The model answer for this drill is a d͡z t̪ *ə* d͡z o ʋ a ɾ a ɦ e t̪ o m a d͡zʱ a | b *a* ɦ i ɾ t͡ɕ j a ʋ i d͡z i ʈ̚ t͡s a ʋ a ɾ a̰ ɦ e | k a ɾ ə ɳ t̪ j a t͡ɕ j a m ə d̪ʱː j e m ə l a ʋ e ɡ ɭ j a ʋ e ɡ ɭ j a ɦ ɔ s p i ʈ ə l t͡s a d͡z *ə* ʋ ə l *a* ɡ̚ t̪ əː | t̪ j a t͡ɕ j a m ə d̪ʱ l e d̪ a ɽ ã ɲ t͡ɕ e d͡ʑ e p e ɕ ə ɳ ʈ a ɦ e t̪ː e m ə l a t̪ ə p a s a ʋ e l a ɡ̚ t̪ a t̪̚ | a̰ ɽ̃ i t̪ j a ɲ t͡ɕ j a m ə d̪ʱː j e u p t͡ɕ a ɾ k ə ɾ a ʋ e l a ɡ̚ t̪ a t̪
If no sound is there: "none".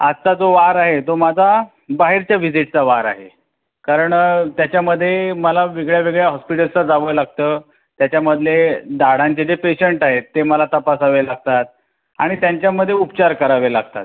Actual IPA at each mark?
a, a, a, a

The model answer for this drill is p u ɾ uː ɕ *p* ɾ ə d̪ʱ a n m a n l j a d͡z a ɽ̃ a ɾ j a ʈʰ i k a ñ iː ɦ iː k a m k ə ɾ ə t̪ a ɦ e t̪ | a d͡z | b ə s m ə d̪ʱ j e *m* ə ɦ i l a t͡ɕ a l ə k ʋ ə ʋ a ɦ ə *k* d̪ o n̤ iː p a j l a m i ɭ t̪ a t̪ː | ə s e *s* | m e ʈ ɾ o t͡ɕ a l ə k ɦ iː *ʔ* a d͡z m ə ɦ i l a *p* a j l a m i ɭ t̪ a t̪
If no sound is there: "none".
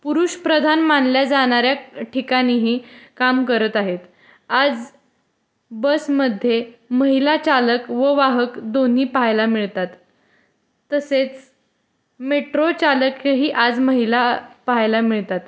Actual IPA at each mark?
p, m, k, t͡s, ʔ, p

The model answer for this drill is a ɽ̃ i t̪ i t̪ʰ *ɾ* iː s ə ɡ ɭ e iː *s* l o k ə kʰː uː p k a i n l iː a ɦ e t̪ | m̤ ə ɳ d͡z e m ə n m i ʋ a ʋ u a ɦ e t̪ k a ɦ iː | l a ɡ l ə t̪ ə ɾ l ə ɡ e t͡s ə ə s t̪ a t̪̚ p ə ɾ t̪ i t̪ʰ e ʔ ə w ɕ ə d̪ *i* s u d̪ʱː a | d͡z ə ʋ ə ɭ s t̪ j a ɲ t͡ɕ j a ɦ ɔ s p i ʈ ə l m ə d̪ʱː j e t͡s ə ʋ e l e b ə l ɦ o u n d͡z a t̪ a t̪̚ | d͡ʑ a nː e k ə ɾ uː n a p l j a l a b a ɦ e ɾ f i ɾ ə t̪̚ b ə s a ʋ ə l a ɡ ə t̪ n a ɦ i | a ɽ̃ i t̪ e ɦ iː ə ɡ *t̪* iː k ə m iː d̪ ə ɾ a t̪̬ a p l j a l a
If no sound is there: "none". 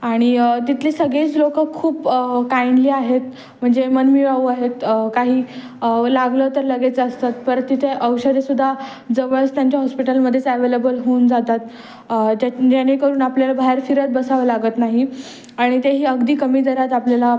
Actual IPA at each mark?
l, t͡s, e, d̪

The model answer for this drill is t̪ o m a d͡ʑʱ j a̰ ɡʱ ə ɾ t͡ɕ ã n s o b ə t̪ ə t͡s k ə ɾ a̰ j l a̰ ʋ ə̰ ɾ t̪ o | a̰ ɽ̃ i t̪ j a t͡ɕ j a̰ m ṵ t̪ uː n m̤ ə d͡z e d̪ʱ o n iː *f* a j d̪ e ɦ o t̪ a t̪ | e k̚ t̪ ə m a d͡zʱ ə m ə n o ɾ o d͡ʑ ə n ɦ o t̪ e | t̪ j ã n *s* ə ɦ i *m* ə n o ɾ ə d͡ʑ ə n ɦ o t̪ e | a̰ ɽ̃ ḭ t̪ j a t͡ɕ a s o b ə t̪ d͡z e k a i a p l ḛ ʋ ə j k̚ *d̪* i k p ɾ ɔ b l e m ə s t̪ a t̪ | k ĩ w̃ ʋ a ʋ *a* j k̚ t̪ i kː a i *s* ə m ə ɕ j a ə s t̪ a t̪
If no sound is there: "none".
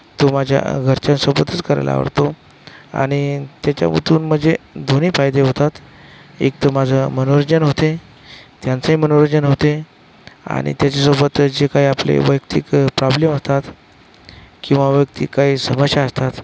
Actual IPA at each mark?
f, t͡s, m, t̪, ə, s

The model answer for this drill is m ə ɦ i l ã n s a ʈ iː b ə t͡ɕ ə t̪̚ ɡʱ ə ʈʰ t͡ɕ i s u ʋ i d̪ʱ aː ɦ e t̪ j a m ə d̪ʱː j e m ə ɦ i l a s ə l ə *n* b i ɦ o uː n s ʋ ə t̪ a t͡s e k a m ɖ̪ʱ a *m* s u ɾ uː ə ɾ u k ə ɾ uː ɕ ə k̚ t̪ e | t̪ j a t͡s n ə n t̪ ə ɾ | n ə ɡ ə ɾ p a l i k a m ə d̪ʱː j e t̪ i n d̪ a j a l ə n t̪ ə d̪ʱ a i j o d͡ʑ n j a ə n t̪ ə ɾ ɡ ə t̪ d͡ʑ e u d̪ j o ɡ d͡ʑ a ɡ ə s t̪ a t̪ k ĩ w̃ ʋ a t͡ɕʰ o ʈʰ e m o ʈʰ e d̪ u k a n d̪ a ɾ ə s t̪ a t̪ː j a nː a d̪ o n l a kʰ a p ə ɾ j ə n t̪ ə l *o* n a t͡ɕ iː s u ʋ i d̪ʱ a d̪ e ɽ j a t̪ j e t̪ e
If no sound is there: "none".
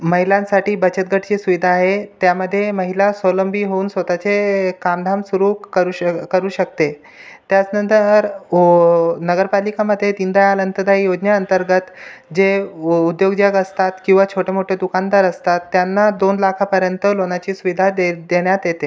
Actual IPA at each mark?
m, m, o

